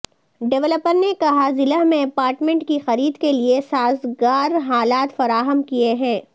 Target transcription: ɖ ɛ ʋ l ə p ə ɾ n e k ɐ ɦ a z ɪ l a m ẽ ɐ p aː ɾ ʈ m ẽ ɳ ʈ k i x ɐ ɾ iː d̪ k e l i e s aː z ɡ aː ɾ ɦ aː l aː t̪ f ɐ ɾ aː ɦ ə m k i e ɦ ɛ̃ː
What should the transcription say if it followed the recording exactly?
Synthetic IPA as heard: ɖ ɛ ʋ l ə p ə ɾ n e k ɐ ɦ a z ɪ l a m ẽ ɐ p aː ɾ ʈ m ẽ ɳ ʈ k i x ɐ ɾ iː d̪ k e l i e s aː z ɡ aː ɾ ɦ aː l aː t̪ f ɐ ɾ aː ɦ ə m k i e ɦ ɛ̃ː